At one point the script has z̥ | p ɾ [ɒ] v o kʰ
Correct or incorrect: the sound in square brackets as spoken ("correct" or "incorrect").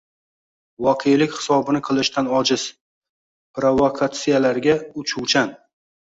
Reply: incorrect